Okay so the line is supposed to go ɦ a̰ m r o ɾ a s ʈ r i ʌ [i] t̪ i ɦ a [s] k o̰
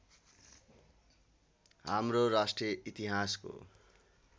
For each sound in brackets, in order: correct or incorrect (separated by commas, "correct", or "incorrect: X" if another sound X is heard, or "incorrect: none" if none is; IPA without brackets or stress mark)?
correct, correct